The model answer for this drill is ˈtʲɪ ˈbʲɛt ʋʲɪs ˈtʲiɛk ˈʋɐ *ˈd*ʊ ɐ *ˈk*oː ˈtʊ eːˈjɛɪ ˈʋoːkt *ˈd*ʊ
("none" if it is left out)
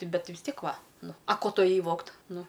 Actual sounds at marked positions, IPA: n, k, n

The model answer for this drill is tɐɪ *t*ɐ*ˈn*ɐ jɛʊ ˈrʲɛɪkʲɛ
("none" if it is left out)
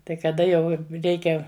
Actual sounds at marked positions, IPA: k, d

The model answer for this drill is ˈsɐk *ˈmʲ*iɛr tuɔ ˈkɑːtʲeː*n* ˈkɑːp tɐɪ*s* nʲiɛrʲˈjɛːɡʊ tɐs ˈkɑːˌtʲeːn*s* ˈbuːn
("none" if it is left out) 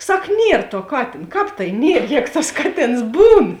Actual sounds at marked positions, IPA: nʲ, n, none, s

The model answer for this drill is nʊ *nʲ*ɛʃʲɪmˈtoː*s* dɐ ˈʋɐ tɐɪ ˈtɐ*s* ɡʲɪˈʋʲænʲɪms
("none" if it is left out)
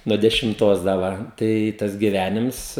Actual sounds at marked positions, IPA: dʲ, s, s

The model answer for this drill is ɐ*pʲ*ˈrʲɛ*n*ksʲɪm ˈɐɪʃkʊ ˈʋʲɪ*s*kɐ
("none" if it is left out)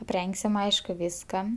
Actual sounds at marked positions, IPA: pʲ, ŋ, s

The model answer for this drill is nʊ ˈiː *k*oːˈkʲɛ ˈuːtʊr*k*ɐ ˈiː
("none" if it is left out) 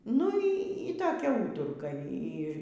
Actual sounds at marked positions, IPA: t, k

